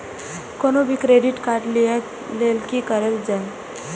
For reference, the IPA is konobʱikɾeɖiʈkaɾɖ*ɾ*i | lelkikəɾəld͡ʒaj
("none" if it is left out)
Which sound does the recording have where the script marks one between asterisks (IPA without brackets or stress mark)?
l